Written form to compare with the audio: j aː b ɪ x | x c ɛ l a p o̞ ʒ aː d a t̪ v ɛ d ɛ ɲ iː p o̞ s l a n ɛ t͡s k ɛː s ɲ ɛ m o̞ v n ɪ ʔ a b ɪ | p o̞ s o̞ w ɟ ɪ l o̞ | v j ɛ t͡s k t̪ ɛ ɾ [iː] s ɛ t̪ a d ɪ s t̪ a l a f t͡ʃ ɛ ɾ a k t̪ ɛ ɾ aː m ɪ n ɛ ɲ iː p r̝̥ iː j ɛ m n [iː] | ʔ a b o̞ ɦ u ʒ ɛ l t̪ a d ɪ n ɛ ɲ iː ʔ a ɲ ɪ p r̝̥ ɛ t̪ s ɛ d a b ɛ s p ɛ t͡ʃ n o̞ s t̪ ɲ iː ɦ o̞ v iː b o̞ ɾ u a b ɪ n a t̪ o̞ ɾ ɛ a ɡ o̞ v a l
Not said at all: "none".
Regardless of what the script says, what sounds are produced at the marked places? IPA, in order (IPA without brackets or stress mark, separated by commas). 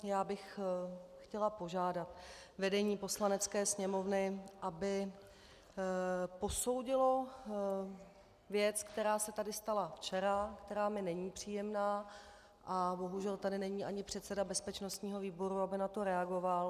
aː, aː